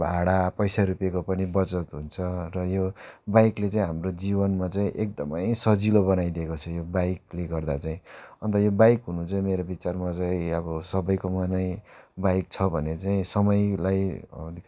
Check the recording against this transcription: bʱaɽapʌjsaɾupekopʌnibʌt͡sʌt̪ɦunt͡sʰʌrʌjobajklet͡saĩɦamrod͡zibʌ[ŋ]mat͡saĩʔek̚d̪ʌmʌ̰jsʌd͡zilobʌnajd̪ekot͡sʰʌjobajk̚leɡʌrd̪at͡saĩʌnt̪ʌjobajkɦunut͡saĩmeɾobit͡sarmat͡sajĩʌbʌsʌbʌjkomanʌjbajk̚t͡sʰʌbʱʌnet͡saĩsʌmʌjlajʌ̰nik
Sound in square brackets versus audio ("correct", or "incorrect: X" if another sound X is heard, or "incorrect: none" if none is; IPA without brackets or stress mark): incorrect: n